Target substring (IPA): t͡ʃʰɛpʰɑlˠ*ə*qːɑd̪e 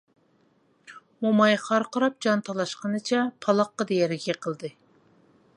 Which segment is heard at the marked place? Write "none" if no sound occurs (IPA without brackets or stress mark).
ɑ